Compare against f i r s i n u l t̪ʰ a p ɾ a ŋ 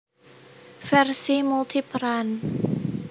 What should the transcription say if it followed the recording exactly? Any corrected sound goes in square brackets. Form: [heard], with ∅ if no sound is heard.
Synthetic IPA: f [ɛ] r s i [m] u l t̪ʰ [i] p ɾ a [n]